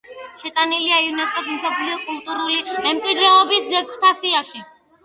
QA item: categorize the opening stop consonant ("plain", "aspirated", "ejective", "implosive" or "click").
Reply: ejective